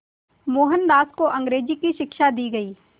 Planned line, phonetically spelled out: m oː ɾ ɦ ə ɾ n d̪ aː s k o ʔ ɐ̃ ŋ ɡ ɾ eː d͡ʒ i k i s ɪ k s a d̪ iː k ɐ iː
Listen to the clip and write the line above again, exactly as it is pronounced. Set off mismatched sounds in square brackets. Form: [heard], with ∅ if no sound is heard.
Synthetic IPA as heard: m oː [∅] ɦ ə [∅] n d̪ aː s k o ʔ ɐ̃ ŋ ɡ ɾ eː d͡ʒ i k i [ʃ] ɪ k [ʃ] a d̪ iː [ɡ] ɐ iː